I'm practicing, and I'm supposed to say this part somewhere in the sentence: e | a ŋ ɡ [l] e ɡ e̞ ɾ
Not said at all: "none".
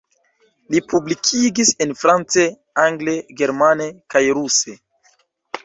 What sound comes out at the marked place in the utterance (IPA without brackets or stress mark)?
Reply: l